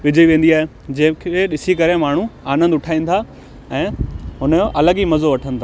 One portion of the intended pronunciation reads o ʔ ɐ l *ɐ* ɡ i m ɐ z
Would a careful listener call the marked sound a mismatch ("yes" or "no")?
yes